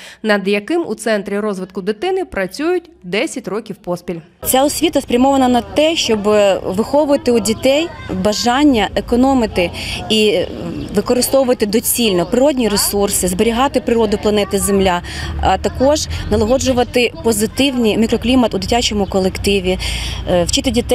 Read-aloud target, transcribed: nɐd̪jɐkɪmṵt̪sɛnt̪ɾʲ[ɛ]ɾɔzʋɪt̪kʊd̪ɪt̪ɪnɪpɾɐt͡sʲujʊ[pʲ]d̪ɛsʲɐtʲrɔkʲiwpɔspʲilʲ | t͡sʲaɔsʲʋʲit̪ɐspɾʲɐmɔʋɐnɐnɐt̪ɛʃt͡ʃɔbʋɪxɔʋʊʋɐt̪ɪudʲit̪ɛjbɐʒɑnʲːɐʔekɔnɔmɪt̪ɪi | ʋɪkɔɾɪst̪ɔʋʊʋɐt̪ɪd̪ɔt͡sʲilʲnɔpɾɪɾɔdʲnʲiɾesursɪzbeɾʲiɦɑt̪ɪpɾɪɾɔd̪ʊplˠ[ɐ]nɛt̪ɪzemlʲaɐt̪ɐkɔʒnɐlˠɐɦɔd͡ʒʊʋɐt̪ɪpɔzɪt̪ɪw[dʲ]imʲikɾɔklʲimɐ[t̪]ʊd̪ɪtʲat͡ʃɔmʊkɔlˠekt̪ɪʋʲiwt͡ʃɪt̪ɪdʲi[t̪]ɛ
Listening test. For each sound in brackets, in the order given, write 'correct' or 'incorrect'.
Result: incorrect: i, incorrect: tʲ, correct, incorrect: nʲ, correct, correct

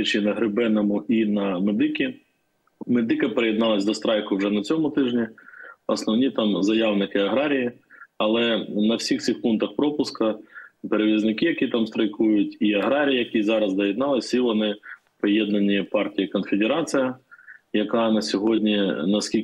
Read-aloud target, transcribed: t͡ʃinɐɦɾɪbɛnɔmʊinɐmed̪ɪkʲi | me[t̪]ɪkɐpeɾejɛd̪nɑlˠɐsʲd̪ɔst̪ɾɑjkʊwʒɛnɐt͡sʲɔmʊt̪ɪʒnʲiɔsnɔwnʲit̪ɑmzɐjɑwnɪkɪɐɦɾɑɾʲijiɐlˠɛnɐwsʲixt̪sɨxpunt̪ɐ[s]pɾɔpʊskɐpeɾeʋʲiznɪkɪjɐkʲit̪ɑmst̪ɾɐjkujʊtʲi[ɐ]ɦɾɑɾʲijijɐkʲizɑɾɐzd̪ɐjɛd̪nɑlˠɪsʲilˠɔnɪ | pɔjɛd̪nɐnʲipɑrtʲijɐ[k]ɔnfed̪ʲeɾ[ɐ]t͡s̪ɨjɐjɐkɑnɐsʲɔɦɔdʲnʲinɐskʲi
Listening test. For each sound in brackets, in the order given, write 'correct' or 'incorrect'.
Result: incorrect: d̪, incorrect: x, correct, correct, incorrect: ɑ

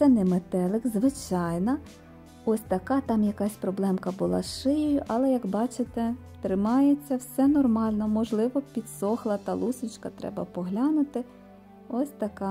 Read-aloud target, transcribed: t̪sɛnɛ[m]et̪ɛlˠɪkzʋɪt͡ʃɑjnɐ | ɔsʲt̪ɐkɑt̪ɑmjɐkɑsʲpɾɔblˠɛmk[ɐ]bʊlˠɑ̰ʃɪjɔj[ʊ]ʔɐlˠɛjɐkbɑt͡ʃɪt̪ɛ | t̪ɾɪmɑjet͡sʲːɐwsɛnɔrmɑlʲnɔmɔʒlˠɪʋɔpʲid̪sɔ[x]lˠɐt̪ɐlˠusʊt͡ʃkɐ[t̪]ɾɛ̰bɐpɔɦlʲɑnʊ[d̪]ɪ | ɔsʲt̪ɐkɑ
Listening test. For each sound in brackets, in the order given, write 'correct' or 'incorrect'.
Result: correct, correct, correct, correct, correct, incorrect: t̪

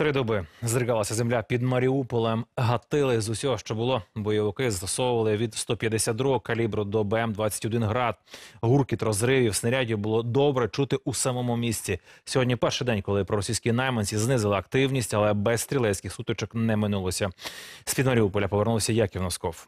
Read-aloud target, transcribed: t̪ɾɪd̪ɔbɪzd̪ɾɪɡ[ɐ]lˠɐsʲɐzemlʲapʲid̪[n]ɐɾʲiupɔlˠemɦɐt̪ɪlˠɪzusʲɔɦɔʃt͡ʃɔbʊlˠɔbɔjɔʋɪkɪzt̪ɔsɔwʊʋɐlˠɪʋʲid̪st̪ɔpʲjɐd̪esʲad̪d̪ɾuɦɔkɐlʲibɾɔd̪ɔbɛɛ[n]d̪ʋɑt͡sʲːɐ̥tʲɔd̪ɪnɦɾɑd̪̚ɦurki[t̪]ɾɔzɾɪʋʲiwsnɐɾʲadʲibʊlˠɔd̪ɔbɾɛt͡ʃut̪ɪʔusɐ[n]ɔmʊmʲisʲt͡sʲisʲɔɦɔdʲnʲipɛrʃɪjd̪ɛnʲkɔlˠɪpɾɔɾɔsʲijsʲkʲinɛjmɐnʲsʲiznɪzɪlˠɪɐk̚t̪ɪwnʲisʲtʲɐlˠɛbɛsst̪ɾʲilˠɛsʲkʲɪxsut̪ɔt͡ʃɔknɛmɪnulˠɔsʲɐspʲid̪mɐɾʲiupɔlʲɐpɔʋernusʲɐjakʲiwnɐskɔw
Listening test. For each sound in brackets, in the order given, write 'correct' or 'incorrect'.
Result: incorrect: ɑ, incorrect: m, incorrect: m, correct, incorrect: m

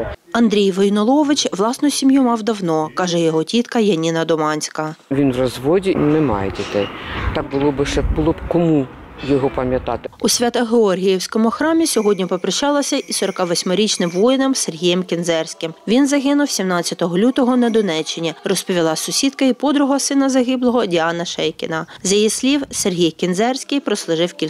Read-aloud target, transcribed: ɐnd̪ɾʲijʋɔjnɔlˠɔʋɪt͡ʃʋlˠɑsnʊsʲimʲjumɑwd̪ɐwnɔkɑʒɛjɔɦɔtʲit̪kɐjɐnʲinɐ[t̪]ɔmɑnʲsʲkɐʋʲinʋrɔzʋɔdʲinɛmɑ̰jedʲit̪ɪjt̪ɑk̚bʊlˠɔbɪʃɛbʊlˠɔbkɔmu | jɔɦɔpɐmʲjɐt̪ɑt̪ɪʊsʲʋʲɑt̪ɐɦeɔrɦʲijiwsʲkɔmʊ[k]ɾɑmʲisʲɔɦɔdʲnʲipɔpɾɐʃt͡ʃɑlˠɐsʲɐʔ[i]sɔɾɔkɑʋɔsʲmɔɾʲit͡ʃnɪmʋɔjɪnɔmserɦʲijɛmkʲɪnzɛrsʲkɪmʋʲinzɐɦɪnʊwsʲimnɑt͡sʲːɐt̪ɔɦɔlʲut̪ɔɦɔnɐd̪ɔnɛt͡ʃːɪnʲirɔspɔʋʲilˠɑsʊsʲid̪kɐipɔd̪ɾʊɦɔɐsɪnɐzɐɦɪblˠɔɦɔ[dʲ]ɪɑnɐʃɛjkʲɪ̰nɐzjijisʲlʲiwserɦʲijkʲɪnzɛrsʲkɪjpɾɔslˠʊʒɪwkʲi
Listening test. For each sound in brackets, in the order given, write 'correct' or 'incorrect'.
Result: incorrect: d̪, incorrect: x, correct, correct

